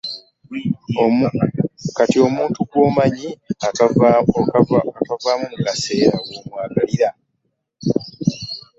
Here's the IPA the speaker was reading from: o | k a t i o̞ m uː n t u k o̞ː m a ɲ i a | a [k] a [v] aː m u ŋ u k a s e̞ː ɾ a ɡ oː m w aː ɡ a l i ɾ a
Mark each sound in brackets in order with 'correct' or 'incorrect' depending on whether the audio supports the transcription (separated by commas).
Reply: correct, correct